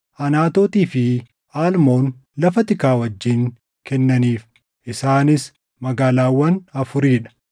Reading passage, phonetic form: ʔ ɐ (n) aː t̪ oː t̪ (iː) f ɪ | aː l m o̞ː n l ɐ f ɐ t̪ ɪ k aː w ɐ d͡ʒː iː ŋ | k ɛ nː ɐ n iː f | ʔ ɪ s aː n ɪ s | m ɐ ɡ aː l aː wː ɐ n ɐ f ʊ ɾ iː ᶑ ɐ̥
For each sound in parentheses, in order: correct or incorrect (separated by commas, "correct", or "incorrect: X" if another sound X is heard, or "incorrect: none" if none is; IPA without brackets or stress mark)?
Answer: correct, correct